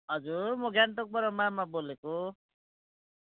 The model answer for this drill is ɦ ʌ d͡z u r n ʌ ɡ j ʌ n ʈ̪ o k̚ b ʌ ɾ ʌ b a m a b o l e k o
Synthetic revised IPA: ɦ ʌ d͡z u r m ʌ ɡ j a n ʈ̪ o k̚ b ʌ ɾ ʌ m a m a b o l e k o

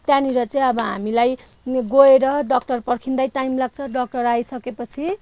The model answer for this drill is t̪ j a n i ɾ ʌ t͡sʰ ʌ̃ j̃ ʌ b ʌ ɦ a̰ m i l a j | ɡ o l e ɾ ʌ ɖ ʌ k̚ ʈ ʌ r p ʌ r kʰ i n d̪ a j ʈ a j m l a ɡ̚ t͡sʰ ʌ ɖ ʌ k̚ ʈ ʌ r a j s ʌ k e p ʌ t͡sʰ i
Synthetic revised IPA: t̪ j a n i ɾ ʌ t͡s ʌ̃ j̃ ʌ b ʌ ɦ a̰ m i l a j | ɡ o e ɾ ʌ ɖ ʌ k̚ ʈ ʌ r p ʌ r kʰ i n d̪ a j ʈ a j m l a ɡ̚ t͡sʰ ʌ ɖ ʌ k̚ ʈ ʌ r a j s ʌ k e p ʌ t͡sʰ i

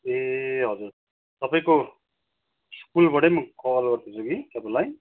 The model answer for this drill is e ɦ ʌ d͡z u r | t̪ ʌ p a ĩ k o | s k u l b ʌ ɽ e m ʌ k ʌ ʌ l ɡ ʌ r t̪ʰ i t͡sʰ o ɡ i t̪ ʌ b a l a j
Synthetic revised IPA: e ɦ ʌ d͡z u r | t̪ ʌ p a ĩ k o | s k u l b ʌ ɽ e m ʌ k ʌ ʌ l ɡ ʌ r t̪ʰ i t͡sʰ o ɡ i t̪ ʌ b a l a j

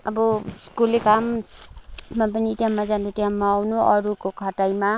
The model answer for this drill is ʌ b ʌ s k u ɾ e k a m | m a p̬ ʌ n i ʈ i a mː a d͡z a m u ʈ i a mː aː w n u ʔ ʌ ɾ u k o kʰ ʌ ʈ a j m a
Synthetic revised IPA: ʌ b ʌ s k u l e k a m | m a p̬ ʌ n i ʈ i a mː a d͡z a n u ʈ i a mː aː w n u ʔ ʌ ɾ u k o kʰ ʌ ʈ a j m a

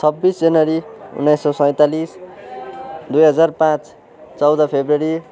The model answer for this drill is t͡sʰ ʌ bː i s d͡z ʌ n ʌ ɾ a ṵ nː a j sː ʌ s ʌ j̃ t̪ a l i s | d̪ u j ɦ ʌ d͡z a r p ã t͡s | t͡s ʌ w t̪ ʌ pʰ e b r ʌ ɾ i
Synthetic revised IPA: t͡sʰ ʌ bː i s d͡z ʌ n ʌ ɾ i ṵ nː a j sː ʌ s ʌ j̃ t̪ a l i s | d̪ u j ɦ ʌ d͡z a r p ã t͡s | t͡s ʌ w d̪ ʌ pʰ e b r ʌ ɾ i

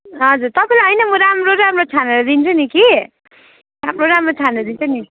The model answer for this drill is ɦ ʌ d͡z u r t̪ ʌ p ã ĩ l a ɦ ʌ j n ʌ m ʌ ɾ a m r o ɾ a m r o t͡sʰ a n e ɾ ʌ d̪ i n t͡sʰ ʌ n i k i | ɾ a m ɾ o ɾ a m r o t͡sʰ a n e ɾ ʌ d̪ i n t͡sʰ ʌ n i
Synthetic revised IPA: ɦ ʌ d͡z u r t̪ ʌ p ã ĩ l a ɦ ʌ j n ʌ m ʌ ɾ a m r o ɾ a m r o t͡sʰ a n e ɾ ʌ d̪ i n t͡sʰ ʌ n i k i | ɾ a m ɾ o ɾ a m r o t͡sʰ a n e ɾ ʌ d̪ i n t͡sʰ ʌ n i

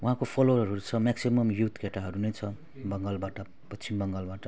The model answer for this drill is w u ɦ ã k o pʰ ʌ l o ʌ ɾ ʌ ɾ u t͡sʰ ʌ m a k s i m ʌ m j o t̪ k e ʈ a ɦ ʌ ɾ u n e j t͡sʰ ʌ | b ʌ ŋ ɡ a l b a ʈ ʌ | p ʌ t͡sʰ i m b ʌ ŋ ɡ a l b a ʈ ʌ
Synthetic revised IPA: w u ɦ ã k o pʰ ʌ l o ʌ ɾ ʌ ɾ u t͡sʰ ʌ m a k s i m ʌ m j u t̪ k e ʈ a ɦ ʌ ɾ u n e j t͡sʰ ʌ | b ʌ ŋ ɡ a l b a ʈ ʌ | p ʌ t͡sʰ i m b ʌ ŋ ɡ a l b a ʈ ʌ

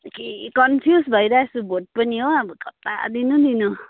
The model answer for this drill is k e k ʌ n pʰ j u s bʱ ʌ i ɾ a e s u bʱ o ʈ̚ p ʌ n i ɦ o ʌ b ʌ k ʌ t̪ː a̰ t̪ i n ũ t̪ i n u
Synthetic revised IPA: k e k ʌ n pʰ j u s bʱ ʌ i ɾ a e s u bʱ o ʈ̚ p ʌ n i ɦ o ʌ b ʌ k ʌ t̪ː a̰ d̪ i n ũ d̪ i n u

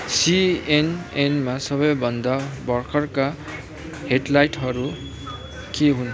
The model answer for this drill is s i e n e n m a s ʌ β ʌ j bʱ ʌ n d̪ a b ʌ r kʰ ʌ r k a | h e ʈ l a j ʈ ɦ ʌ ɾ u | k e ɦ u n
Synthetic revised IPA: s i e n e n m a s ʌ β ʌ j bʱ ʌ n d̪ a b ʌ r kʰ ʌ r k a | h e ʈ l a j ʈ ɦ ʌ ɾ u | k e ɦ u n

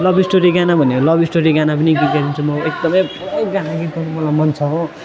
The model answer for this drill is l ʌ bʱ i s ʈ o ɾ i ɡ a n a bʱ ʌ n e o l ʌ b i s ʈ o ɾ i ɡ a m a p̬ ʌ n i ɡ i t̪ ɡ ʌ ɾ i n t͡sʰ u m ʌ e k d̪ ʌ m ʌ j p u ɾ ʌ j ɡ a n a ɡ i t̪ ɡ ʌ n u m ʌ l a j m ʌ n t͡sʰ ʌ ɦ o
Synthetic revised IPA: l ʌ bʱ i s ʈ o ɾ i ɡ a n a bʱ ʌ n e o l ʌ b i s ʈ o ɾ i ɡ a n a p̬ ʌ n i ɡ i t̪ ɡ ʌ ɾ i n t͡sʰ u m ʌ e k d̪ ʌ m ʌ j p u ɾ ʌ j ɡ a n a ɡ i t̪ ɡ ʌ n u m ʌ l a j m ʌ n t͡sʰ ʌ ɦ o

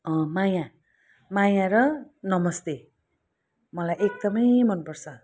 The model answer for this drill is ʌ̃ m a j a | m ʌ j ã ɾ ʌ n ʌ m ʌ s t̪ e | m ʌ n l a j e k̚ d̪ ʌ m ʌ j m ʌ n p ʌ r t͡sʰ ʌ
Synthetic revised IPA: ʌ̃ m a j a | m a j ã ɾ ʌ n ʌ m ʌ s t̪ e | m ʌ l a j e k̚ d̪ ʌ m ʌ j m ʌ n p ʌ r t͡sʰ ʌ

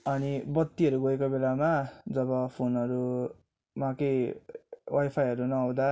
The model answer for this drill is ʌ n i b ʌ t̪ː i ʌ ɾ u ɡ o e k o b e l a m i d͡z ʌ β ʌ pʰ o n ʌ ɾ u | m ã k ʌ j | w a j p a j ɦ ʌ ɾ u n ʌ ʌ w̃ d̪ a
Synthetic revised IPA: ʌ n i b ʌ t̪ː i ʌ ɾ u ɡ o e k o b e l a m a d͡z ʌ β ʌ pʰ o n ʌ ɾ u | m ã k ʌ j | w a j pʰ a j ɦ ʌ ɾ u n ʌ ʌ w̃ d̪ a

